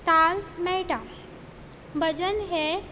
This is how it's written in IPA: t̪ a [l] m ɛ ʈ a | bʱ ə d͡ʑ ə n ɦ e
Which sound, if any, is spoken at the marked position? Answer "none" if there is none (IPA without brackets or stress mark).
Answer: l